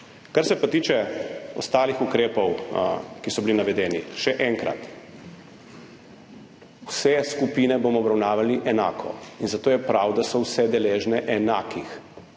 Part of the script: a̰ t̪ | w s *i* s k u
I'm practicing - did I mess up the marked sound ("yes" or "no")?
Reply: yes